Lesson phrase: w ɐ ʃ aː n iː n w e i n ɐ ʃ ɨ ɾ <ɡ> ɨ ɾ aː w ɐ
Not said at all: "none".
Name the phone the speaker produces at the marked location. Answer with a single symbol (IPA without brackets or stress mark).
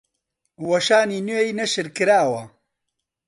k